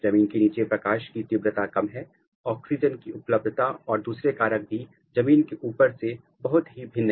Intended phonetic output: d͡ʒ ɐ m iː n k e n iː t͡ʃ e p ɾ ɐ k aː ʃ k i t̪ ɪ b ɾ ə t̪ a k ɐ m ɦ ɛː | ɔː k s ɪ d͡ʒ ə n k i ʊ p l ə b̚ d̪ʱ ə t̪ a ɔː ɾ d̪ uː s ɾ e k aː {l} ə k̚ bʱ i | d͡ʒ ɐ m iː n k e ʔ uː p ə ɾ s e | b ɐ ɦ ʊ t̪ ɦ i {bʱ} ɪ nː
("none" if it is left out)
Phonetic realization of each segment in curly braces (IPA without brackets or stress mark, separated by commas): ɾ, bʱ